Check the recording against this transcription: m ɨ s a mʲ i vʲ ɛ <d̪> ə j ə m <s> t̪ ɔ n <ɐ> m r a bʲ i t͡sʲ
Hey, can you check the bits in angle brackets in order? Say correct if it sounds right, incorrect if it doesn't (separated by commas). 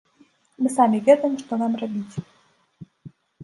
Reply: correct, incorrect, incorrect